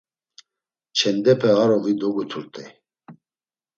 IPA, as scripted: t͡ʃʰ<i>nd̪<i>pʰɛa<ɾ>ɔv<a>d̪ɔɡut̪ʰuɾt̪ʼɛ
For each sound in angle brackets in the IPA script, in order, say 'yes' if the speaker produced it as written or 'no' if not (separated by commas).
no, no, yes, no